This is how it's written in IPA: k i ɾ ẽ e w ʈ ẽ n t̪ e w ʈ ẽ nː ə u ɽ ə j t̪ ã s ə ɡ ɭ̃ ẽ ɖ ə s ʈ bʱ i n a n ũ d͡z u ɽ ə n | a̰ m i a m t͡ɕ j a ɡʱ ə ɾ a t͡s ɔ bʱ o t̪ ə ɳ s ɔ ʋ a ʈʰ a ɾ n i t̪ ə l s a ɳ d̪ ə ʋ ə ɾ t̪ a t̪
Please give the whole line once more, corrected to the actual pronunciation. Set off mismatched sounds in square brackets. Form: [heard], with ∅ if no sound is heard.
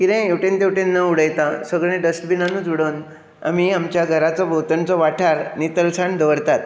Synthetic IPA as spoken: k i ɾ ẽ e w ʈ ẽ n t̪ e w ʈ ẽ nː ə u ɽ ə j t̪ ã s ə ɡ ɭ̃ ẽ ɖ ə s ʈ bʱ i n a n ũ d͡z u ɽ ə n | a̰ m i a m t͡ɕ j a ɡʱ ə ɾ a t͡s ɔ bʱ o t̪ ə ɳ [t͡s] ɔ ʋ a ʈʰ a ɾ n i t̪ ə l s a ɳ d̪ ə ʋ ə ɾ t̪ a t̪